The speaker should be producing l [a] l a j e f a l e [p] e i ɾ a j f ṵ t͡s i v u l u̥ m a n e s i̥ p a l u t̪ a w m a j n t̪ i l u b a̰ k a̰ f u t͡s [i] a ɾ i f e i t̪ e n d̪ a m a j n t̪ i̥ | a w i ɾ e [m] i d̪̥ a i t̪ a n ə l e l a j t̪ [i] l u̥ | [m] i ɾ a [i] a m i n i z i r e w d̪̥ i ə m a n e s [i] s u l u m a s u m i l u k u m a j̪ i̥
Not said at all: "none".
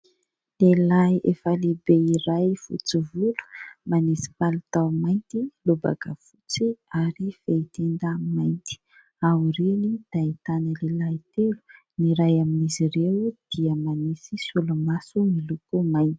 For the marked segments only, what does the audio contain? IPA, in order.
e, b, i, n, e, n, j, i

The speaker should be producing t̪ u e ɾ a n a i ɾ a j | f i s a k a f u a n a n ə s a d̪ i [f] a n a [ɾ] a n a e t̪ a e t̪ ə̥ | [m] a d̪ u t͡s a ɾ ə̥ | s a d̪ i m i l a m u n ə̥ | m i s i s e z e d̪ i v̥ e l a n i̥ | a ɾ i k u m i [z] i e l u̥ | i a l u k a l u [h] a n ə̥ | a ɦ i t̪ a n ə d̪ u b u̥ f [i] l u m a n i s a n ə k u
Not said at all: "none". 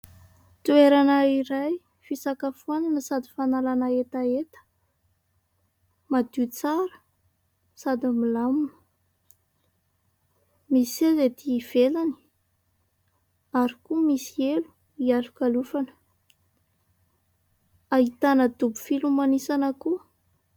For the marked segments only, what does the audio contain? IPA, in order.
f, l, m, s, f, i

